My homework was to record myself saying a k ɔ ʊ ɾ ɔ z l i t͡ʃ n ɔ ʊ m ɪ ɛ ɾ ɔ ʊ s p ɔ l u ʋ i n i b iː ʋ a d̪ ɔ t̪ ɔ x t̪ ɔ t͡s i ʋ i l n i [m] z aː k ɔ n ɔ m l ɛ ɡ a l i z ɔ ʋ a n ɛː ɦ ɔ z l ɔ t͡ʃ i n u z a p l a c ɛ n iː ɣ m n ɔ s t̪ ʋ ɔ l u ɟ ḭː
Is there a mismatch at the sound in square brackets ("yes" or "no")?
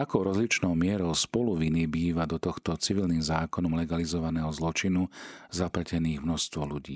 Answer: no